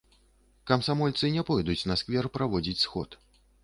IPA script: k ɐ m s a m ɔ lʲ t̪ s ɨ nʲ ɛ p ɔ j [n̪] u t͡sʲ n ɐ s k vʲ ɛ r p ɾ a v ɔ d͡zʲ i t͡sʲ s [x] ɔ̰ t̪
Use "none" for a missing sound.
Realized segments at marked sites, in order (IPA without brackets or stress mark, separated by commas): d̪, x